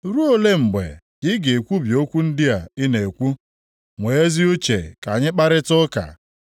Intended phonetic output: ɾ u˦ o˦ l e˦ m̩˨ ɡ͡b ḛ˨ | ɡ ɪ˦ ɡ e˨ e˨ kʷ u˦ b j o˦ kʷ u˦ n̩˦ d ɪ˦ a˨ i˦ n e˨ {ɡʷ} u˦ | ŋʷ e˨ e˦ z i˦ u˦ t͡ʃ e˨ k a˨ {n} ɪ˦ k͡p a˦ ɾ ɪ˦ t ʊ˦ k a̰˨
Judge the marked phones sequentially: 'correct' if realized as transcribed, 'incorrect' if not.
incorrect, incorrect

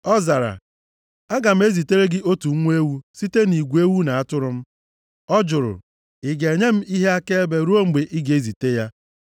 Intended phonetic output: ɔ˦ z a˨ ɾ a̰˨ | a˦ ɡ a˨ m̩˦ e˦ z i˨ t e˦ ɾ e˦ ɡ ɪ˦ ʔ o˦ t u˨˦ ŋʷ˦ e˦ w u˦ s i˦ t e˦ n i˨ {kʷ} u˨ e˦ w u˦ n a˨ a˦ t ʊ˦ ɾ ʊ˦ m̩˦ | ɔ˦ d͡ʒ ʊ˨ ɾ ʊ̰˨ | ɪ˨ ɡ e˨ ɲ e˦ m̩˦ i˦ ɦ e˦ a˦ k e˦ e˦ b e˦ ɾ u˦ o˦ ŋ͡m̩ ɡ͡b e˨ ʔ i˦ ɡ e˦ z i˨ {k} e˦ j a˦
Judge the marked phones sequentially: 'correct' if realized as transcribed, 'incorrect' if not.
incorrect, incorrect

